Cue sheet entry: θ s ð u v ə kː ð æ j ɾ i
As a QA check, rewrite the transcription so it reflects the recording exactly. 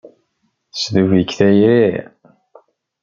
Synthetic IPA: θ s ð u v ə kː θ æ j ɾ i